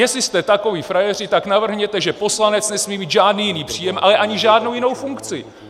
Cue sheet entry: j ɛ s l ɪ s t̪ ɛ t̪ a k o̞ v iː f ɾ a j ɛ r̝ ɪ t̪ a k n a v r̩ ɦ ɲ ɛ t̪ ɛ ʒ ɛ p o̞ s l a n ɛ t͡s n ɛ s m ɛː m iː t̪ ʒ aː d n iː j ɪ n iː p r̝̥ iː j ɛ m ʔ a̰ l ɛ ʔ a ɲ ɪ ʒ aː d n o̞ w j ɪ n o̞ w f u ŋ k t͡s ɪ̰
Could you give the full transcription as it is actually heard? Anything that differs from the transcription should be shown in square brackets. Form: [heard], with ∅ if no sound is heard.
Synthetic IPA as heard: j ɛ s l ɪ s t̪ ɛ t̪ a k o̞ v iː f ɾ a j ɛ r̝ ɪ t̪ a k n a v r̩ ɦ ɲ ɛ t̪ ɛ ʒ ɛ p o̞ s l a n ɛ t͡s n ɛ s m [iː] m iː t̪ ʒ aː d n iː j ɪ n iː p r̝̥ iː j ɛ m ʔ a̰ l ɛ ʔ a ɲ ɪ ʒ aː d n o̞ w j ɪ n o̞ w f u ŋ k t͡s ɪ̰